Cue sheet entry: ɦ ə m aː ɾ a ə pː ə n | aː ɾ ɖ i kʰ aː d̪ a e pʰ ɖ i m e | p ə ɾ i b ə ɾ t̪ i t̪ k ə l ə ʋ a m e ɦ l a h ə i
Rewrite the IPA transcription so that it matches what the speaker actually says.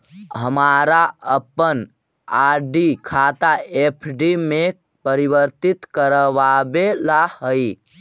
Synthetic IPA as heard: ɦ ə m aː ɾ a ə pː ə n | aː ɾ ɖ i kʰ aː t̪ a e pʰ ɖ i m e | p ə ɾ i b ə ɾ t̪ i t̪ k ə ɾ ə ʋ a b e l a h ə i